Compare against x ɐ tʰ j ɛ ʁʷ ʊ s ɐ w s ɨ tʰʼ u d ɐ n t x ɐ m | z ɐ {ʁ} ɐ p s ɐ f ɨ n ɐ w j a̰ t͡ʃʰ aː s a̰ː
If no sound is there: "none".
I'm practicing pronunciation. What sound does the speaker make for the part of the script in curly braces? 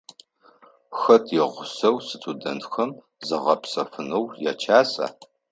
ʁ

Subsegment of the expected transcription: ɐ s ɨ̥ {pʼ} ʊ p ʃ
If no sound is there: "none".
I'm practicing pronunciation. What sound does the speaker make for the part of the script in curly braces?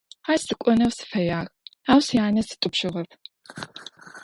tʼ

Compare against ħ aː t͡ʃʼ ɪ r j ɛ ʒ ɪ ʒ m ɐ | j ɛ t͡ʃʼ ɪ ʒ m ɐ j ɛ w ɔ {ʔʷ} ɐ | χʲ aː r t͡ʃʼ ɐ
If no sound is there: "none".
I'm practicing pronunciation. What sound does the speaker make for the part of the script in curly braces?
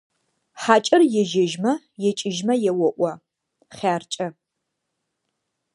ʔʷ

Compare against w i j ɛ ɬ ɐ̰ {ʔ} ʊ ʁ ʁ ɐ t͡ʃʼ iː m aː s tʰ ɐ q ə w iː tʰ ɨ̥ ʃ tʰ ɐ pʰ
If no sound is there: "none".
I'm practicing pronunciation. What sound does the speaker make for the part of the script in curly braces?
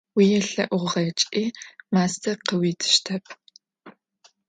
ʔ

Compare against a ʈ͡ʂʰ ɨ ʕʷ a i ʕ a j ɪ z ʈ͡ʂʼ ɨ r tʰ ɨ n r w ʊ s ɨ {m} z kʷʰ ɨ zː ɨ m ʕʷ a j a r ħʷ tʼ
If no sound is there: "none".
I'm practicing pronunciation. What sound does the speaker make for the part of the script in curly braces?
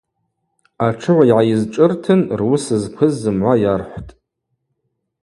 none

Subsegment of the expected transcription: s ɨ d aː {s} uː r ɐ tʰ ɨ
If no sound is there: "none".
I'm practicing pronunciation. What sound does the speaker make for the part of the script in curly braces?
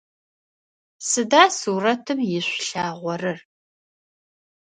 s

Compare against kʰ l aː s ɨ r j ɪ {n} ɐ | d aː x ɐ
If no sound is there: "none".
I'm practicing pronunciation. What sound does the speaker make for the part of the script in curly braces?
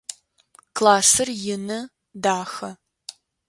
n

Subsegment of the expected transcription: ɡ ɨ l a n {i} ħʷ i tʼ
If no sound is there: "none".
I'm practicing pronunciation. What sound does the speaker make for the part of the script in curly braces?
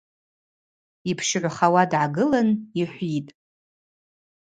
i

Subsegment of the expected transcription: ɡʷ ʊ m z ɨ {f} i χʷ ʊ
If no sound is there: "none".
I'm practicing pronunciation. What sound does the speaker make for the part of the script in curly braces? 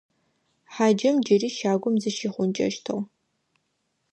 ʃ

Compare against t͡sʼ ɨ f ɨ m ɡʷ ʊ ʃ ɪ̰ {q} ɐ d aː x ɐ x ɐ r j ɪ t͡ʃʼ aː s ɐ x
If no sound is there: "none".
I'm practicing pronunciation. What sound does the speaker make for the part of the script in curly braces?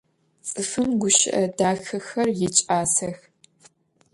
ʔ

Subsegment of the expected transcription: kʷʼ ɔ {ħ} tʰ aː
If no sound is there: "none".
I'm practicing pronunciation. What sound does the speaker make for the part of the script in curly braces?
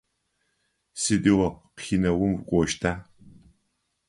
ʃ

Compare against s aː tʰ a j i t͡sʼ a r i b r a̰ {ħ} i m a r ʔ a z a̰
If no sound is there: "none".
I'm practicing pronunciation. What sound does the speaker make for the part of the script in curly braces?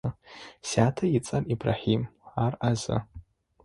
ħ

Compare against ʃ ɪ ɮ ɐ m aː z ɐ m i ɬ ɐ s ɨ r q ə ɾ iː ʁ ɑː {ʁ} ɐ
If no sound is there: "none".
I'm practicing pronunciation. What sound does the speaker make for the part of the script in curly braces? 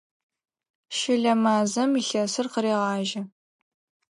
ʒ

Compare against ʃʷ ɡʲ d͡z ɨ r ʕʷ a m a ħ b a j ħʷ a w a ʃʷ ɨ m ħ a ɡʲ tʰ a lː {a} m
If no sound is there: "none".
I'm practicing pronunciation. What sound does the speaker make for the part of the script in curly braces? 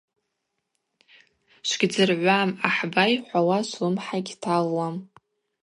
a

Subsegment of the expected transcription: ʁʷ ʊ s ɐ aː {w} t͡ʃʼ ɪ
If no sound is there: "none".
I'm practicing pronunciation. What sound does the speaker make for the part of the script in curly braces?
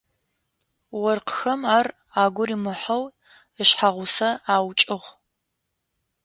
w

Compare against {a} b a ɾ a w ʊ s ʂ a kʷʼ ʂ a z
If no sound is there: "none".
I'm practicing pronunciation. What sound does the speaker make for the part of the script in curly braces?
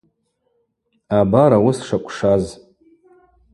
a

